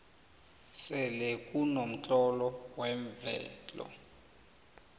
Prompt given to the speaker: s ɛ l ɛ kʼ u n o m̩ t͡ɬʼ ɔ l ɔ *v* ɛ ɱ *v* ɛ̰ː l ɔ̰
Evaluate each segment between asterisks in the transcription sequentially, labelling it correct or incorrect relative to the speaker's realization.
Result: incorrect, correct

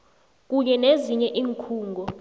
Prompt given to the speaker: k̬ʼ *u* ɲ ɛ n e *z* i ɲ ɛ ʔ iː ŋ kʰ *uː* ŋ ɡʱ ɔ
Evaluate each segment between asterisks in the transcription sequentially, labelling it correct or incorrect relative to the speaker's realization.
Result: correct, correct, correct

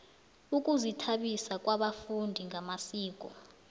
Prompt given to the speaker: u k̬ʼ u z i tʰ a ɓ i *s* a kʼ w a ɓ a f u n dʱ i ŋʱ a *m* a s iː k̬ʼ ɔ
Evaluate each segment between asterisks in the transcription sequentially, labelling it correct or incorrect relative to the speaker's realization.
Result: correct, correct

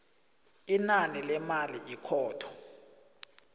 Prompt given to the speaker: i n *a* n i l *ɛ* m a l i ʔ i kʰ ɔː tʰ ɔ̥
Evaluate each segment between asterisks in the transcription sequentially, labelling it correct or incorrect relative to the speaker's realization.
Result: correct, correct

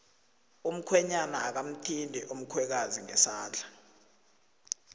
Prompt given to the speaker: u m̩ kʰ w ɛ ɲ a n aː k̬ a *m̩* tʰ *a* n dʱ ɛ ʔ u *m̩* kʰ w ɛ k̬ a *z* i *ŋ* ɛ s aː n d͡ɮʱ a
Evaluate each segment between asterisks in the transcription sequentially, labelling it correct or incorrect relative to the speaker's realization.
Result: correct, incorrect, correct, correct, correct

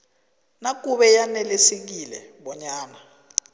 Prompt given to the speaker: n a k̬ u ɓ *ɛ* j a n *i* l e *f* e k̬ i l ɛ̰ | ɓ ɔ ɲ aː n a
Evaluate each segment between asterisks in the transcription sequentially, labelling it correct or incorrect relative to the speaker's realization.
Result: correct, incorrect, incorrect

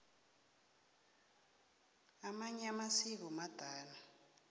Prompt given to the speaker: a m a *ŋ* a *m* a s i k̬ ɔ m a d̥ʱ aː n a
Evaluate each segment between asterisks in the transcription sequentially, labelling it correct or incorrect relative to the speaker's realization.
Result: incorrect, correct

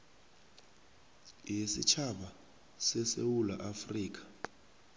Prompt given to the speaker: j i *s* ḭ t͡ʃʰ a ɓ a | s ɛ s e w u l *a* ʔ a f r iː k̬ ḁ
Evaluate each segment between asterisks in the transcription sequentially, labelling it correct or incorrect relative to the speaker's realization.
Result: correct, correct

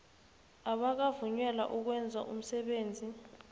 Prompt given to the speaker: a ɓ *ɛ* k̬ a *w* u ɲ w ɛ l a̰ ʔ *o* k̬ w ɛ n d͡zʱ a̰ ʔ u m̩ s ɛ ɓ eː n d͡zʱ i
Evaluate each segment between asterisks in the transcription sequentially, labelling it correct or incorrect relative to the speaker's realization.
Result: incorrect, incorrect, incorrect

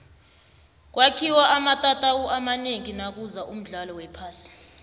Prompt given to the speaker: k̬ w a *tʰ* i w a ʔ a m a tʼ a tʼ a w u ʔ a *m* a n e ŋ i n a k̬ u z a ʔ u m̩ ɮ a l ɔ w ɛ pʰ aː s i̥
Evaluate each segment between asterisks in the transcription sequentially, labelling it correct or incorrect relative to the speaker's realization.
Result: incorrect, correct

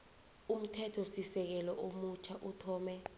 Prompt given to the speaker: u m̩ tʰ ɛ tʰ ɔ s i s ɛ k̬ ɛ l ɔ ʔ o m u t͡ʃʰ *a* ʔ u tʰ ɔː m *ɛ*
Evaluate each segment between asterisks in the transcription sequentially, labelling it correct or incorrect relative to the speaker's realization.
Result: correct, correct

